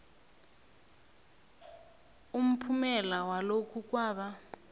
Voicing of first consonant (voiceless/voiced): voiced